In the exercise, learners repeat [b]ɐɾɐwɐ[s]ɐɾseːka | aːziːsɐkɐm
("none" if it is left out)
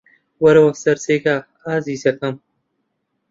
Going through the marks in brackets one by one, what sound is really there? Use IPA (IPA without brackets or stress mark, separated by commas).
w, s